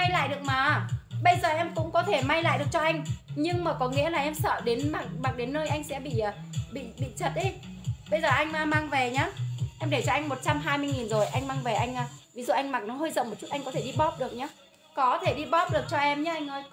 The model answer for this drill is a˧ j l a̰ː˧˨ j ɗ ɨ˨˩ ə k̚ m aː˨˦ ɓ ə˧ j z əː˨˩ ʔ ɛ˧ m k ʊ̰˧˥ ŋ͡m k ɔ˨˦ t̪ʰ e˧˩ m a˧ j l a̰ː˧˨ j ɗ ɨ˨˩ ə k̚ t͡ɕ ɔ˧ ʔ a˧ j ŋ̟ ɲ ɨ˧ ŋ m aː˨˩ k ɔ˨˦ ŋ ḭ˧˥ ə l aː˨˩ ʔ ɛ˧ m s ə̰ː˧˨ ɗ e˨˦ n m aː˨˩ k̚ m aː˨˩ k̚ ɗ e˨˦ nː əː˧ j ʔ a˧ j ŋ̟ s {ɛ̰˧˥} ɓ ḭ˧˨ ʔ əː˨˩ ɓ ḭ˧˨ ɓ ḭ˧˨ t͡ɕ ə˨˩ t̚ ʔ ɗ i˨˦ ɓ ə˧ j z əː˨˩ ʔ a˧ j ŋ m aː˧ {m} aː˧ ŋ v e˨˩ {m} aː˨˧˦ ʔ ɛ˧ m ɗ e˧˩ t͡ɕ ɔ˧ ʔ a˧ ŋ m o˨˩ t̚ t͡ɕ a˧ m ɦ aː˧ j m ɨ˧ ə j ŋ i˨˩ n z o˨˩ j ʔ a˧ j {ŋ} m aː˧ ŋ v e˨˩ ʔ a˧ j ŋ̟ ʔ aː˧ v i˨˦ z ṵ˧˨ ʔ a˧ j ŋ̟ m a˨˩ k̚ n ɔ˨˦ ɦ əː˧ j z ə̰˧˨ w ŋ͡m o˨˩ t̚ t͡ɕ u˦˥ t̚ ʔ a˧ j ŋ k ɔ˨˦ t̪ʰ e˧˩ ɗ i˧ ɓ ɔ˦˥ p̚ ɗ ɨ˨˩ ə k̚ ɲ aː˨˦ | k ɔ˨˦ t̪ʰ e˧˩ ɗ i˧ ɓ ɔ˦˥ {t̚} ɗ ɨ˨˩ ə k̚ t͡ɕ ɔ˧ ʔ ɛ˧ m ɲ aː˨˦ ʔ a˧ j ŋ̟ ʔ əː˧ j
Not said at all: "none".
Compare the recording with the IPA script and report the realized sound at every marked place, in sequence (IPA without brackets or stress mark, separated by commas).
ɛ̰˧˥, m, ɲ, ŋ, p̚